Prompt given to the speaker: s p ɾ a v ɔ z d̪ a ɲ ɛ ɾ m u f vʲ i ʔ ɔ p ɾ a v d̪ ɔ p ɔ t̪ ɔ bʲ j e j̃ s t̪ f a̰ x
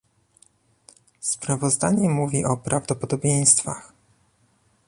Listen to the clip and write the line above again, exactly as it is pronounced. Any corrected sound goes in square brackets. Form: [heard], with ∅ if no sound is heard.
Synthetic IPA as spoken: s p ɾ a v ɔ z d̪ a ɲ ɛ [∅] m u [∅] vʲ i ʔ ɔ p ɾ a v d̪ ɔ p ɔ [d̪] ɔ bʲ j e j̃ s t̪ f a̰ x